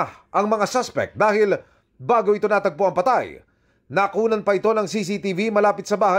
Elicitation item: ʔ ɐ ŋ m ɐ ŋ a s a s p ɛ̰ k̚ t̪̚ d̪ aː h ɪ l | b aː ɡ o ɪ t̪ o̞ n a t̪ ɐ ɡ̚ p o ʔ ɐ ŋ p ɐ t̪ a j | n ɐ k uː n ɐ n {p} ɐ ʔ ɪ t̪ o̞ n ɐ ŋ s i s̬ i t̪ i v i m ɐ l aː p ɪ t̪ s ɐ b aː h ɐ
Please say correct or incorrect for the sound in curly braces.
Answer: correct